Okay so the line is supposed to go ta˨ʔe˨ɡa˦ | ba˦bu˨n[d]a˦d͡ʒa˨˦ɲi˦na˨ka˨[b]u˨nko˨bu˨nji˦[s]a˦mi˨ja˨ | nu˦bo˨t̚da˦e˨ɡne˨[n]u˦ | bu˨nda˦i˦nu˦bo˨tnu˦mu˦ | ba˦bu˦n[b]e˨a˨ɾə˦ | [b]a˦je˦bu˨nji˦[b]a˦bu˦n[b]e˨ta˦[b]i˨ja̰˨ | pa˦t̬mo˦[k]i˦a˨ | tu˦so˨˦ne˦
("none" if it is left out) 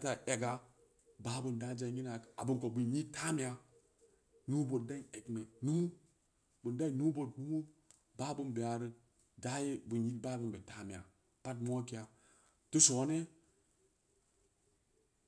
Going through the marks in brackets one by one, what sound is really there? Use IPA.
d, b, t, n, b, d, b, b, m, k

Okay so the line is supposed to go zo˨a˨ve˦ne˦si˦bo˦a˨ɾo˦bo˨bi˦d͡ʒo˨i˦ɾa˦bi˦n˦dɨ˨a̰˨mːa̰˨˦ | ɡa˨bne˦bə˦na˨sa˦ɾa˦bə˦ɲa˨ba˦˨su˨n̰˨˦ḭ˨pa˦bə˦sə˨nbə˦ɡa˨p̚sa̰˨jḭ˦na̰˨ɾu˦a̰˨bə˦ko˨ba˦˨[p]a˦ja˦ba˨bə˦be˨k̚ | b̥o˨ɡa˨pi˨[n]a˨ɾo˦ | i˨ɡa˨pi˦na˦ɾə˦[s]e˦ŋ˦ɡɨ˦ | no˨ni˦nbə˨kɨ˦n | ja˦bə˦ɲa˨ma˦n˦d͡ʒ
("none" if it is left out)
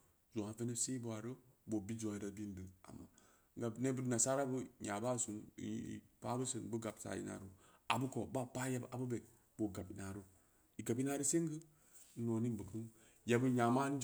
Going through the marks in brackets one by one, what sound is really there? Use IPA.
p, n, s

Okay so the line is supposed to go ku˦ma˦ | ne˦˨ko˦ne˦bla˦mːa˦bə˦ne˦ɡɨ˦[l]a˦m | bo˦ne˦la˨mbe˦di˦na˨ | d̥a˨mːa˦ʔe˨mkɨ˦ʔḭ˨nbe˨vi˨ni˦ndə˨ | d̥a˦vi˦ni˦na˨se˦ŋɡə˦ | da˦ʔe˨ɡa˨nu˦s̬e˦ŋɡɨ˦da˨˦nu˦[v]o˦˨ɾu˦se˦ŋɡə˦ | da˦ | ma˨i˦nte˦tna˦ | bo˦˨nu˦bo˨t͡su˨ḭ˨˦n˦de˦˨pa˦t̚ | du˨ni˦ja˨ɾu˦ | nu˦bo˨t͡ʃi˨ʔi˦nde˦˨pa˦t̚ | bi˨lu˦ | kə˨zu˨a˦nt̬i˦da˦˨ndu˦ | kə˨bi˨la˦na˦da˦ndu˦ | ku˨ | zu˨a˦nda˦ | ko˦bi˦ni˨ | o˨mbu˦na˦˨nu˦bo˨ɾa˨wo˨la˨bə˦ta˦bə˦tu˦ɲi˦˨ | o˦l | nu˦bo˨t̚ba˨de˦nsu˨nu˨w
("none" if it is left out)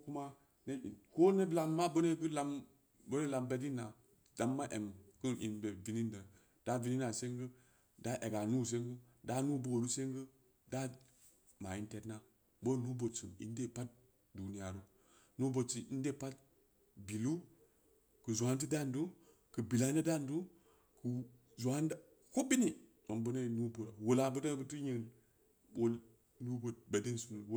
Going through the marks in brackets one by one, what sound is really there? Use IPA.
l, b

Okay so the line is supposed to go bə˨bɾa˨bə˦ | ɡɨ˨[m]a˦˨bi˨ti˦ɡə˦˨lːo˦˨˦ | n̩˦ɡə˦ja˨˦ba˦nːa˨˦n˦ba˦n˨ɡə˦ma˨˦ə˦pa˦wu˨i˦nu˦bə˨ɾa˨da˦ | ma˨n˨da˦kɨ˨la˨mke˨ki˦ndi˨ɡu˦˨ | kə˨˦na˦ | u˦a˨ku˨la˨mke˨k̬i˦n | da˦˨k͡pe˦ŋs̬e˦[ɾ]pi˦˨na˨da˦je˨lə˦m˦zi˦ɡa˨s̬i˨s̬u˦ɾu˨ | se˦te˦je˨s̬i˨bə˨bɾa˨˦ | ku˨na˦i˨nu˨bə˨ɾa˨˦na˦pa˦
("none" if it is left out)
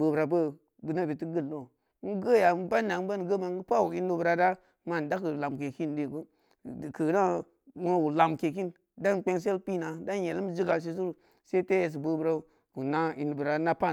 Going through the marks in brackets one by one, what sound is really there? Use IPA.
n, l

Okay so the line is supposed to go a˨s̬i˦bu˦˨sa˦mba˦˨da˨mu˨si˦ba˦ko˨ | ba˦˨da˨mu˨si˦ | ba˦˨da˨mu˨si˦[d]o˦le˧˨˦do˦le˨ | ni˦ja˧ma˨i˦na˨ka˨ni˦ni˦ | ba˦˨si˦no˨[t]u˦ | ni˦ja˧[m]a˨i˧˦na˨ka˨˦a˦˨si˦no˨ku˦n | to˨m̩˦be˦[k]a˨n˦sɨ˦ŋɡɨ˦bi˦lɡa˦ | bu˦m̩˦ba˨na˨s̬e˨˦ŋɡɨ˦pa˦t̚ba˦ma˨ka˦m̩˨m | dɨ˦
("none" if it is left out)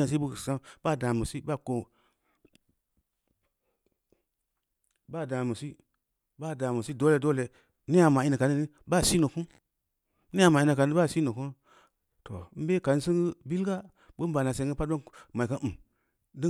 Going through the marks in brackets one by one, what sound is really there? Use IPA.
d, k, m, k

